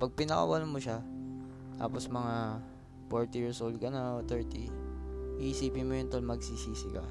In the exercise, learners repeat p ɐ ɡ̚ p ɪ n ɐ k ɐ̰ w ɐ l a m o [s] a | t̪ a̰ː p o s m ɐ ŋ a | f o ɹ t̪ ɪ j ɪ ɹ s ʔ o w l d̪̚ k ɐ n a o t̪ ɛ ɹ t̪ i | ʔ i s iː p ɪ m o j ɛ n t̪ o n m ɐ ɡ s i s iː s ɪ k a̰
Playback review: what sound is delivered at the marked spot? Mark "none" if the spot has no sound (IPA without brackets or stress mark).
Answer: ʃ